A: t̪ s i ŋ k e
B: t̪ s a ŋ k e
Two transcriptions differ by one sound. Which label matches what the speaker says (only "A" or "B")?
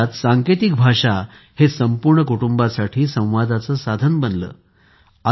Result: B